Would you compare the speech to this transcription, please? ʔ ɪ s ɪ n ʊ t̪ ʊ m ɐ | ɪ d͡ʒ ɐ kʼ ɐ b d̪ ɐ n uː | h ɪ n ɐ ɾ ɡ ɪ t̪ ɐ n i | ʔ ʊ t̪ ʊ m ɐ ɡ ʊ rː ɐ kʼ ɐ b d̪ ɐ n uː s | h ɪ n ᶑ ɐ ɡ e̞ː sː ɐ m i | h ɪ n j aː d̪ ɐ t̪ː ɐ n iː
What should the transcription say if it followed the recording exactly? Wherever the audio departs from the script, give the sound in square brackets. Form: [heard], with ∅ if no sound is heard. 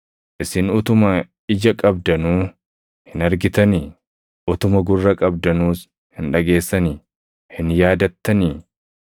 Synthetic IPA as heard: ʔ ɪ s ɪ n ʊ t̪ ʊ m ɐ | ɪ d͡ʒ ɐ kʼ ɐ b d̪ ɐ n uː | h ɪ n ɐ ɾ ɡ ɪ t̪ ɐ n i | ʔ ʊ t̪ ʊ m ɐ ɡ ʊ rː ɐ kʼ ɐ b d̪ ɐ n uː s | h ɪ n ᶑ ɐ ɡ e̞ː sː ɐ [n] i | h ɪ n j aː d̪ ɐ t̪ː ɐ n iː